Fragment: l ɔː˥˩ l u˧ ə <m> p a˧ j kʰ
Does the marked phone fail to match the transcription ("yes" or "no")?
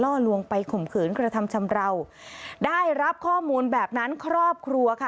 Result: yes